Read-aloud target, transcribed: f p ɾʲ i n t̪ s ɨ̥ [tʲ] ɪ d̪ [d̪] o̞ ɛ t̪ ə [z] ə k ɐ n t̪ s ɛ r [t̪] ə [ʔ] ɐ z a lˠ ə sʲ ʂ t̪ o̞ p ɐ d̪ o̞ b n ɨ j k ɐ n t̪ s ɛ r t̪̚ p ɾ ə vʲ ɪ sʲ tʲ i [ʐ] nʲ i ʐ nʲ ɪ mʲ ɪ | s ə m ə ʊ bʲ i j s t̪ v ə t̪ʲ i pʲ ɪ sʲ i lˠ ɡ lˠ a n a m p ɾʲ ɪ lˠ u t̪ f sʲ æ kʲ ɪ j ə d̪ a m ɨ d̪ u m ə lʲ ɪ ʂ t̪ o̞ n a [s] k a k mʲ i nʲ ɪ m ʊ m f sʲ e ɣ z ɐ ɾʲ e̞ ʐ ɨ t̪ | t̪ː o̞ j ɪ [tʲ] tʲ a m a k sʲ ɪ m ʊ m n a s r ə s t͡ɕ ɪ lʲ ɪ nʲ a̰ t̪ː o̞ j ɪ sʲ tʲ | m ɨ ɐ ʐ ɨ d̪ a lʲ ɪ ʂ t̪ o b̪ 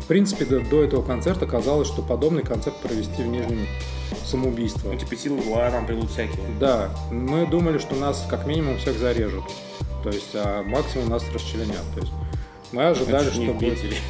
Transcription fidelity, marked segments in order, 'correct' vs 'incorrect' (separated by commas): incorrect, correct, incorrect, correct, incorrect, incorrect, correct, incorrect